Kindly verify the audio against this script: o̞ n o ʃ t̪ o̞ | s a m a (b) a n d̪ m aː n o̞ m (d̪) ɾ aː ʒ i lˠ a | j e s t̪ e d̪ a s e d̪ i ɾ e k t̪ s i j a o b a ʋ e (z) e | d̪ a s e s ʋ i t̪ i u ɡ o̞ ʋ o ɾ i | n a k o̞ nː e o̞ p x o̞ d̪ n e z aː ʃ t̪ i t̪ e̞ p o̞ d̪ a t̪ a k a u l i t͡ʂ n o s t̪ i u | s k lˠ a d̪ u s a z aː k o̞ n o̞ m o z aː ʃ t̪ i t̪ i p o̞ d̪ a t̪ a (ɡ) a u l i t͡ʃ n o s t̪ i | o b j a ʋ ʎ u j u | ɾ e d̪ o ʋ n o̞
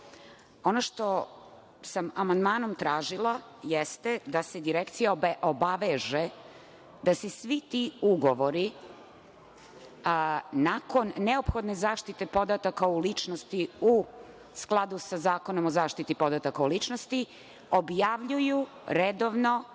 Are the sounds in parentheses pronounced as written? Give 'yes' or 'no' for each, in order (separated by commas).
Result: no, no, no, no